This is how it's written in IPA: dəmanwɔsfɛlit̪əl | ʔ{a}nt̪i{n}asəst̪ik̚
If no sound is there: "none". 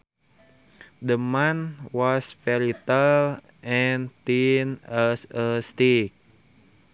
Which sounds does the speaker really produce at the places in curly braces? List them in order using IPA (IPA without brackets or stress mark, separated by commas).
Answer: ɛ, n